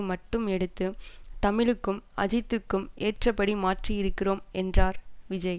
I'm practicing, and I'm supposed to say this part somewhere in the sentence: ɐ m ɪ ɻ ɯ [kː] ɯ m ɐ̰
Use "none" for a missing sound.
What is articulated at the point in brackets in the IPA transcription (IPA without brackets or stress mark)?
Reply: kː